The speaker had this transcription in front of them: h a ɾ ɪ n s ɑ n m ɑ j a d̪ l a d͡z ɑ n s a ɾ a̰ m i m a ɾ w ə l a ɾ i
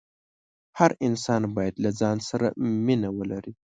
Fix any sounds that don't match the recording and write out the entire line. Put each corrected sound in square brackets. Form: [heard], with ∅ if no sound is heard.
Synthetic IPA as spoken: h a ɾ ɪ n s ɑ n [b] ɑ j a d̪ l a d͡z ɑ n s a ɾ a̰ m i [n] a [∅] w ə l a ɾ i